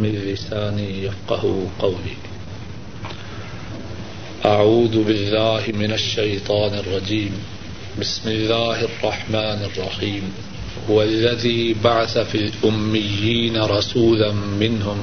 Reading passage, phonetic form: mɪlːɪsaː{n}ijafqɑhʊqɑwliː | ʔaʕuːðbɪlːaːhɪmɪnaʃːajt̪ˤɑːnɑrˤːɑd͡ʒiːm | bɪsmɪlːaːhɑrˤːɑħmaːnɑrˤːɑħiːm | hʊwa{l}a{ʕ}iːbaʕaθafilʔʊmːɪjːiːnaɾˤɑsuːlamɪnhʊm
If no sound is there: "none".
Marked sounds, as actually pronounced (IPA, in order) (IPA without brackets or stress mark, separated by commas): n, lː, ð